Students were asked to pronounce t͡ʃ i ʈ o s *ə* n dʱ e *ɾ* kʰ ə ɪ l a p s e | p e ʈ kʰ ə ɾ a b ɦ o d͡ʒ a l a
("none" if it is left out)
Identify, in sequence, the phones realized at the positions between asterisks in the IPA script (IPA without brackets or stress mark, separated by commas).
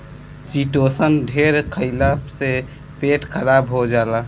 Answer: ə, ɾ